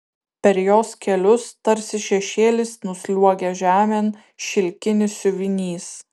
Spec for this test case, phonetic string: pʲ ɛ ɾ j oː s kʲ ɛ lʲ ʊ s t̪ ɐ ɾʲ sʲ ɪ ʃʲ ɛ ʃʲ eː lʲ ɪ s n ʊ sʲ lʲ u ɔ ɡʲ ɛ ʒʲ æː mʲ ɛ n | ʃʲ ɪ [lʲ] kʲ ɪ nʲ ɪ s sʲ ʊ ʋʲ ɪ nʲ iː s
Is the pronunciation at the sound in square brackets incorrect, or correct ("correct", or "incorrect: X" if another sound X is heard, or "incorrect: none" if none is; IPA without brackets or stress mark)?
correct